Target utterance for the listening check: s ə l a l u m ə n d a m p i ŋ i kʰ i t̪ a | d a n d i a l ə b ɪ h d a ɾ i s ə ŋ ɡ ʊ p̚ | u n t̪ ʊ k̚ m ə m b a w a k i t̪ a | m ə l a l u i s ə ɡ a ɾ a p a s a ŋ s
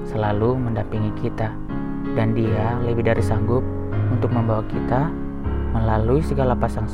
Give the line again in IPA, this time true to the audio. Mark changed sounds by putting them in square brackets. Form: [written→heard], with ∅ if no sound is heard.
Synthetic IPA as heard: s ə l a l u m ə n d a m p i ŋ i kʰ i t̪ a | d a n d i a l ə b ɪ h d a ɾ i s [ə→a] ŋ ɡ ʊ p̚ | u n t̪ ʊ k̚ m ə m b a w a k i t̪ a | m ə l a l u i s ə ɡ a [ɾ→l] a p a s a ŋ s